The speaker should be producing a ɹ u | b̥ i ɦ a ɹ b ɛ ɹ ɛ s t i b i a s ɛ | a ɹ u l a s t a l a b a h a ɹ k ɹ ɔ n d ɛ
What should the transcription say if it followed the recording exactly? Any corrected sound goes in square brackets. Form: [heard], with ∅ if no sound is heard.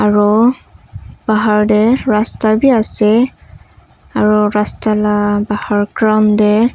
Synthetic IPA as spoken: a ɹ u | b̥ [a] ɦ a ɹ [d] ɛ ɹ [a] s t [a] b i a s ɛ | a ɹ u [ɹ] a s t a l a b a h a ɹ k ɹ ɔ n d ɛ